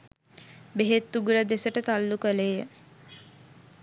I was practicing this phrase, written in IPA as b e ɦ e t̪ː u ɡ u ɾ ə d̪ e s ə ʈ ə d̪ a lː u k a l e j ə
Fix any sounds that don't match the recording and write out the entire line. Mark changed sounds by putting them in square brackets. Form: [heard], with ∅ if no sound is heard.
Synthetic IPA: b e ɦ e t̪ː u ɡ u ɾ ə d̪ e s ə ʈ ə [t̪] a lː u k [ə] l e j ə